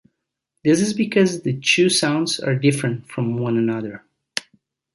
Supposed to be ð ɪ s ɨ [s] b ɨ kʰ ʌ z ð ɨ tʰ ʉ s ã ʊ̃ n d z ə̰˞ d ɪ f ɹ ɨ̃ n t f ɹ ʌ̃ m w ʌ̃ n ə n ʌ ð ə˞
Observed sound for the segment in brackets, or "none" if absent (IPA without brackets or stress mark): z